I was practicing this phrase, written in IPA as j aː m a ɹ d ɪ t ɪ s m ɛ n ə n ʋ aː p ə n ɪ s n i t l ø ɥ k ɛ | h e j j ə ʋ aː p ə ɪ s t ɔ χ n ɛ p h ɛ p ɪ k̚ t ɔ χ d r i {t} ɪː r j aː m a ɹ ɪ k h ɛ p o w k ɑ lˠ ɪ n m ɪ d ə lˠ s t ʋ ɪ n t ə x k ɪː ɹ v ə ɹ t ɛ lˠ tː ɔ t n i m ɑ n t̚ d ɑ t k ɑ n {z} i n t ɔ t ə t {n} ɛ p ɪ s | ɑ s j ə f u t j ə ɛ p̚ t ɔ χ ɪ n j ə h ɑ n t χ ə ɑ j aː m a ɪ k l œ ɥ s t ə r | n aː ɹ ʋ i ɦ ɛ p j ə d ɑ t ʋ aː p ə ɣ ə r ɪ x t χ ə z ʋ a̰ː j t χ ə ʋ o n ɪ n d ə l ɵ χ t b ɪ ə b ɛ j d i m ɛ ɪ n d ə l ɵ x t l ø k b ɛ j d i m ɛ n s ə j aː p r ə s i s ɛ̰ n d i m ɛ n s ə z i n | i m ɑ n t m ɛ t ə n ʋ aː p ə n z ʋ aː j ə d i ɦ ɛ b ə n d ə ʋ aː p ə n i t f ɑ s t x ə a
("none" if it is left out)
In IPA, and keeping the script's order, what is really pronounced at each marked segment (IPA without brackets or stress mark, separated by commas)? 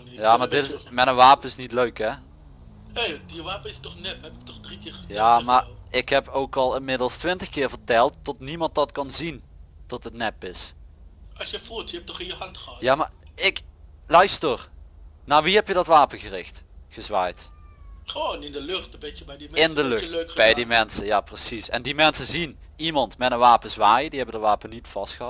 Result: k, z, n